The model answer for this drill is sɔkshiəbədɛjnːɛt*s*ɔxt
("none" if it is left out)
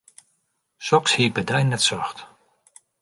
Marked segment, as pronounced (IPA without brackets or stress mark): s